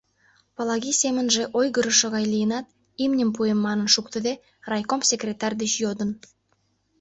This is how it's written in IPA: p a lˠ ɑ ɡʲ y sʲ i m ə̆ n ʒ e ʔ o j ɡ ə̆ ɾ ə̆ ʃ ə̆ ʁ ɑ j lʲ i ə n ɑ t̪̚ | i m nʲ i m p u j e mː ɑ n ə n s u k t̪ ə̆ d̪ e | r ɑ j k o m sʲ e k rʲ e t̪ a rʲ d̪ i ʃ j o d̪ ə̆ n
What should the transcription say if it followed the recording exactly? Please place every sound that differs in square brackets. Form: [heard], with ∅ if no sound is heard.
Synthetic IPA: p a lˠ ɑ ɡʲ [i] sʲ [e] m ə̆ n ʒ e ʔ o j ɡ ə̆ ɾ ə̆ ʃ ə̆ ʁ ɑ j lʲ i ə n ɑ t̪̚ | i m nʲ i m p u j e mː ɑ n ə n [ʃ] u k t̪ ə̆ d̪ e | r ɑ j k o m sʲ e k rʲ e t̪ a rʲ d̪ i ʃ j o d̪ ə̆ n